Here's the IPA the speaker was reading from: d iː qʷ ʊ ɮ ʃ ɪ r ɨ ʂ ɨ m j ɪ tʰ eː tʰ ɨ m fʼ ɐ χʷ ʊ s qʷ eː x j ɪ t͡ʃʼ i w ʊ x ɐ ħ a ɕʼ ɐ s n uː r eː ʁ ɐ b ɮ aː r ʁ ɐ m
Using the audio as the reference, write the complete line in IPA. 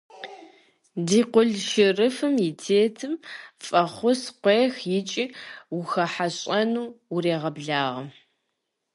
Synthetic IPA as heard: d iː qʷ ʊ ɮ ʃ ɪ r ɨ f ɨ m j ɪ tʰ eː tʰ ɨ m fʼ ɐ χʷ ʊ s qʷ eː x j ɪ t͡ʃʼ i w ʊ x ɐ ħ a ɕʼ ɐ n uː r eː ʁ ɐ b ɮ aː ʁ ɐ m